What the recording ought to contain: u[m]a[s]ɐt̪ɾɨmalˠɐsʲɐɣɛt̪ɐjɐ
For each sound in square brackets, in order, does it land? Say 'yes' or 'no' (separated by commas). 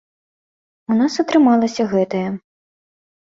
no, yes